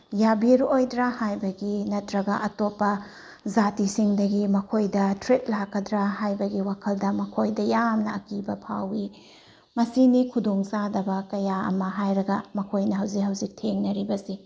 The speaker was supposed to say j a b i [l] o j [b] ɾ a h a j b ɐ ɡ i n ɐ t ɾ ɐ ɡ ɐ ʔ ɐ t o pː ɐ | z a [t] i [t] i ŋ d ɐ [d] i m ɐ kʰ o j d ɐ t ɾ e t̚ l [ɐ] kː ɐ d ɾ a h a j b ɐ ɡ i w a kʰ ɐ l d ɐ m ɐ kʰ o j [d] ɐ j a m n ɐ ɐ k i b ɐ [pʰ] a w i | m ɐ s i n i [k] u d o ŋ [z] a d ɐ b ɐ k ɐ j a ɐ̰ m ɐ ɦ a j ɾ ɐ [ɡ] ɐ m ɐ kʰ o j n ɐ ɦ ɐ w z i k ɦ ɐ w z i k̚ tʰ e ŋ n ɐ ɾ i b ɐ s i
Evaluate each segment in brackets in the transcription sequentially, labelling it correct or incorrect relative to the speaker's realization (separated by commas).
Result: incorrect, incorrect, correct, incorrect, incorrect, incorrect, correct, correct, incorrect, incorrect, correct